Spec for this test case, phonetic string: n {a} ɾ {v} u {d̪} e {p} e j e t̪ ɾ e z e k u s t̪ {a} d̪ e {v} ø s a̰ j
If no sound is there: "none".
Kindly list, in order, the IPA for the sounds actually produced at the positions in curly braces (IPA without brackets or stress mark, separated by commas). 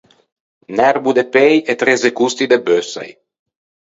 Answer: ɛ, b, d̪, p, i, b